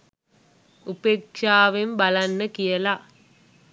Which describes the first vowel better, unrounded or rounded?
rounded